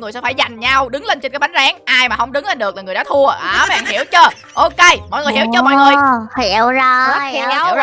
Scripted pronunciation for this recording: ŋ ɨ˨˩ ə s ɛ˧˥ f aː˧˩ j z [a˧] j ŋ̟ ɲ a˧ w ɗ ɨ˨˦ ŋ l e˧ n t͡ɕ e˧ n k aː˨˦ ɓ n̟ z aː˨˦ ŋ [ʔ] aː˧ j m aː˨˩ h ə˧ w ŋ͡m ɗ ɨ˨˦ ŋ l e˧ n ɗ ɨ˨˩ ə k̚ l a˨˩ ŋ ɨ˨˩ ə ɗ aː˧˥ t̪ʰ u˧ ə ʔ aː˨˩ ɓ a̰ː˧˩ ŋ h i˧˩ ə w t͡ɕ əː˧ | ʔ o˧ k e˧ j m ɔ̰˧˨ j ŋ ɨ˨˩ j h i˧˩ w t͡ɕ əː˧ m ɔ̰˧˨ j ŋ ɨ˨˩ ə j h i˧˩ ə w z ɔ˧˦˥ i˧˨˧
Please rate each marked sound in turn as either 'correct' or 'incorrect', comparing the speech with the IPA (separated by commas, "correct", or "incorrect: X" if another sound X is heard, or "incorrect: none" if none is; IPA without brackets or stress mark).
incorrect: a˨˩, correct